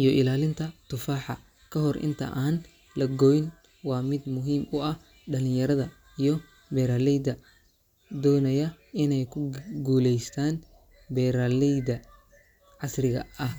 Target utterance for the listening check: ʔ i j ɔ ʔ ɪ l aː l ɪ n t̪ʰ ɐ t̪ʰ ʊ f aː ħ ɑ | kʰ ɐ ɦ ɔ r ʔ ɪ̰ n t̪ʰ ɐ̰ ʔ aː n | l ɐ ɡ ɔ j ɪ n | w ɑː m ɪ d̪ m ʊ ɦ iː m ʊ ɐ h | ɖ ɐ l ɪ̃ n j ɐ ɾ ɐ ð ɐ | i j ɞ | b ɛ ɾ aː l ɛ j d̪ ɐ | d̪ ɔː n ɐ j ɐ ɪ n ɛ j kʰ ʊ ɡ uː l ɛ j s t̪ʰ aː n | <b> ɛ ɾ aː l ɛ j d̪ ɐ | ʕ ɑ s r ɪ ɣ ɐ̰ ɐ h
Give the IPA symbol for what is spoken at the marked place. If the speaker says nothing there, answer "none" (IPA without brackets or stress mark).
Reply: b